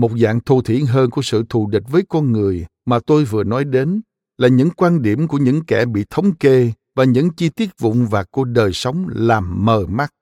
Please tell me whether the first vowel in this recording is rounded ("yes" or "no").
yes